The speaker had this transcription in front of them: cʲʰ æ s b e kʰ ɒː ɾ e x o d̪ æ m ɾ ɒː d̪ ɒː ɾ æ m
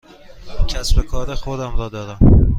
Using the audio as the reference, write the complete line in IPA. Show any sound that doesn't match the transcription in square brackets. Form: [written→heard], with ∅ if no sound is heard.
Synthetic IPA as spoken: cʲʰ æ s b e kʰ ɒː ɾ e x o d̪ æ m ɾ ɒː d̪ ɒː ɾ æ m

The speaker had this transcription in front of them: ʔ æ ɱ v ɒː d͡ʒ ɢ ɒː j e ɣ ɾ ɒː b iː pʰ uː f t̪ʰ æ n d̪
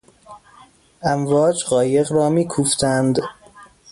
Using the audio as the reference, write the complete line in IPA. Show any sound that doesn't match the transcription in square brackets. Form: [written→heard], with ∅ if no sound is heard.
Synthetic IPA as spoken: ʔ æ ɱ v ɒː d͡ʒ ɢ ɒː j e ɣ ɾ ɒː [b→m] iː [pʰ→kʰ] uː f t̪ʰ æ n d̪

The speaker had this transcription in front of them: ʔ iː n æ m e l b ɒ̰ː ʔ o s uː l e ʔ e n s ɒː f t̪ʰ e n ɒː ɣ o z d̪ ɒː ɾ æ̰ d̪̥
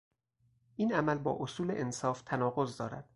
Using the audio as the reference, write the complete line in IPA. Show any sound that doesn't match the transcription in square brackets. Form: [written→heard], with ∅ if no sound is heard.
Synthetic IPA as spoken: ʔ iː n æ m [e→æ] l b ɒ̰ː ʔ o s uː l e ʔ e n s ɒː f t̪ʰ [e→æ] n ɒː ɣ o z d̪ ɒː ɾ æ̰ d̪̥

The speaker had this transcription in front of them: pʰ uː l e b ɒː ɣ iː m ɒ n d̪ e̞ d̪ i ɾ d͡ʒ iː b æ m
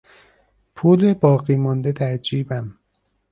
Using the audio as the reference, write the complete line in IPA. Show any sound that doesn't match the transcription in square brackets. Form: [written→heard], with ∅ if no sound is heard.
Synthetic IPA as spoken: pʰ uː l e b ɒː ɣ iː m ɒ n d̪ e̞ d̪ [i→æ] ɾ d͡ʒ iː b æ m

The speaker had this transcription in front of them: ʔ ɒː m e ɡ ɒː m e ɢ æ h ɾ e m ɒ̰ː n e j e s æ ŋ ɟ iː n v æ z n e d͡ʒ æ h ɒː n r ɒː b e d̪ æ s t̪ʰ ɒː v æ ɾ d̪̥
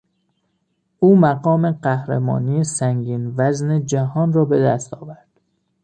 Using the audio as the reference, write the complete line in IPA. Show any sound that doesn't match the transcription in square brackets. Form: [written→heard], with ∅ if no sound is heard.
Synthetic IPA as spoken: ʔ [ɒː→uː] m [e→æ] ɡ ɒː m e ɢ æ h ɾ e m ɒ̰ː n [e→i] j e s æ ŋ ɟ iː n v æ z n e d͡ʒ æ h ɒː n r ɒː b e d̪ æ s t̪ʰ ɒː v æ ɾ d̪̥

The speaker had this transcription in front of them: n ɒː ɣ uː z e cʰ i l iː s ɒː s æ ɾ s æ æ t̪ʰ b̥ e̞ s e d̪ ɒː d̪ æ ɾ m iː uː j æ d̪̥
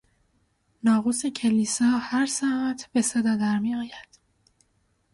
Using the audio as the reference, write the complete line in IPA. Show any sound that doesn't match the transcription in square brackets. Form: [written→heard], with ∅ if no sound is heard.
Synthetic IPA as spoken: n ɒː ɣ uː [z→s] e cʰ [i→e] l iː s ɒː [s→h] æ ɾ s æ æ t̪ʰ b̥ e̞ s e d̪ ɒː d̪ æ ɾ m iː [uː→ɒː] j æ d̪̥

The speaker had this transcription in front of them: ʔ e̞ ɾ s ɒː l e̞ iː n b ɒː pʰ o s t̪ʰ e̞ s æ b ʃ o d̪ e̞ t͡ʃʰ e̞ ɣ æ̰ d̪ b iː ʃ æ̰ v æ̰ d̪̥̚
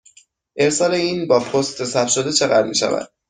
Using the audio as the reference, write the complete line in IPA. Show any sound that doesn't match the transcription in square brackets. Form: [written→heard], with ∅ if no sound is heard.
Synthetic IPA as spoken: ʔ e̞ ɾ s ɒː l e̞ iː n b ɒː pʰ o s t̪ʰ e̞ s æ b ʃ o d̪ e̞ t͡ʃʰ e̞ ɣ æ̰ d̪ [b→m] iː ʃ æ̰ v æ̰ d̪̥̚

